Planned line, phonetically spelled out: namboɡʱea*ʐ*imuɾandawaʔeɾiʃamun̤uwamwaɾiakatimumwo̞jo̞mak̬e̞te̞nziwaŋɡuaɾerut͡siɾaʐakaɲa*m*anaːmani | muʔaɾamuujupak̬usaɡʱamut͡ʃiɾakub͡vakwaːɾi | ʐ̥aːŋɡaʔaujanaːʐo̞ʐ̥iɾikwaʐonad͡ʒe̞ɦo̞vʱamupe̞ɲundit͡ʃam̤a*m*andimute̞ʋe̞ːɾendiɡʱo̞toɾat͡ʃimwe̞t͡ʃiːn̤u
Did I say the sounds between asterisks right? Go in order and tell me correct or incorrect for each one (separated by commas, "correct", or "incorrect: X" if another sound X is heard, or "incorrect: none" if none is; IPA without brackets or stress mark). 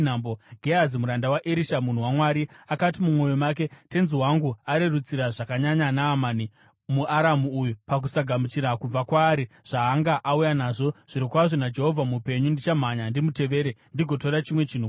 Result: incorrect: z, incorrect: ɲ, incorrect: ɲ